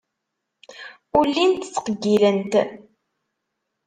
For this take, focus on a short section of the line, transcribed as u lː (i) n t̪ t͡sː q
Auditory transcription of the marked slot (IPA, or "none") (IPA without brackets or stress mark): i